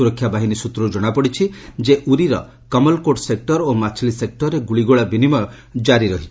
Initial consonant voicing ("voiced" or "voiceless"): voiced